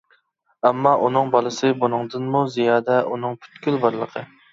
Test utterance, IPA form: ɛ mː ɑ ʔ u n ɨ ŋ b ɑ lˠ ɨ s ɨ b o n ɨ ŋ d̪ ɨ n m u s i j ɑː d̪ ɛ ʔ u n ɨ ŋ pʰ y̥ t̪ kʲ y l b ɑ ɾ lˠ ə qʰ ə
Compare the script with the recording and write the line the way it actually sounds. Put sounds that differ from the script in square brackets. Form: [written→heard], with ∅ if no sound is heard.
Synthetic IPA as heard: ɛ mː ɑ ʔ u n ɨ ŋ b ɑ lˠ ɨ s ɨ b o n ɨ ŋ d̪ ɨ n m u [s→z] i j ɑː d̪ ɛ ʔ u n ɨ ŋ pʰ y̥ t̪ kʲ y l b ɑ ɾ lˠ ə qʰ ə

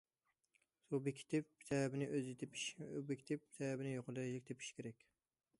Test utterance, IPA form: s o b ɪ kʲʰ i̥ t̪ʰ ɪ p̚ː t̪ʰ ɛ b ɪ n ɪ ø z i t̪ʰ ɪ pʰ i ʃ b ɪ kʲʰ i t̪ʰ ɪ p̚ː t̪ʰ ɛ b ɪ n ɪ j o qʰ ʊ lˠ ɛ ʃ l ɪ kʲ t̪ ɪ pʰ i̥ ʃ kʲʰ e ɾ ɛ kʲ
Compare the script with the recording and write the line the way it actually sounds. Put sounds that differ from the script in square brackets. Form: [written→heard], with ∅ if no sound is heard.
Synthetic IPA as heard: s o b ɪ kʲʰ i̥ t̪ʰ ɪ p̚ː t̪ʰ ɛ b ɪ n ɪ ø z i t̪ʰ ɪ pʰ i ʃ b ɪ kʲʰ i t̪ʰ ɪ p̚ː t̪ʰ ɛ b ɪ n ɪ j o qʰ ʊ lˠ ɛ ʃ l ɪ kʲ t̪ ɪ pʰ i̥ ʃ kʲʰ e ɾ ɛ kʲ

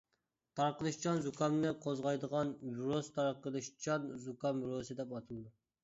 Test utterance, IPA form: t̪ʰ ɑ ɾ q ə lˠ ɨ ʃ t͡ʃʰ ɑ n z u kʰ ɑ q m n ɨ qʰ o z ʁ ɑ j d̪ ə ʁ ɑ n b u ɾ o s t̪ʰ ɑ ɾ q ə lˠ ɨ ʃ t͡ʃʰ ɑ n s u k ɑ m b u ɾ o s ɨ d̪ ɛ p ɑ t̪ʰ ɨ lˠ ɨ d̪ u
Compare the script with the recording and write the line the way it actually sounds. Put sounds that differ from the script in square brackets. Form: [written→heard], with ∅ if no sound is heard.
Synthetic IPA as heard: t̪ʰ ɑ ɾ q ə lˠ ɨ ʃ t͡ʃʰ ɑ n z u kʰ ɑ [q→∅] m n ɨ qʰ o z ʁ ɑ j d̪ ə ʁ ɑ n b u ɾ o s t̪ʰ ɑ ɾ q ə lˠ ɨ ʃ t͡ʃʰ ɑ n [s→z] u k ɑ m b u ɾ o s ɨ d̪ ɛ p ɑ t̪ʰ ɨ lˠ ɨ d̪ u

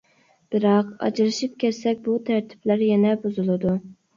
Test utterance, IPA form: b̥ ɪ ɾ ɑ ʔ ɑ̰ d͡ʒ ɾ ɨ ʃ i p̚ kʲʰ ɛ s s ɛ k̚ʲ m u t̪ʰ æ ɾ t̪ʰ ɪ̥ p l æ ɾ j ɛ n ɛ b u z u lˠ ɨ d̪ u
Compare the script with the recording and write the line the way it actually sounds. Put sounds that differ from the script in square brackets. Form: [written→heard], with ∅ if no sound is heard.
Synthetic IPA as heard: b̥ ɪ ɾ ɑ [ʔ→q] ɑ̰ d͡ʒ ɾ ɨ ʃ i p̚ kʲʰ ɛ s s ɛ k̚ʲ [m→b] u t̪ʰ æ ɾ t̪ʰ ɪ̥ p l æ ɾ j ɛ n ɛ b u z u lˠ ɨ d̪ u

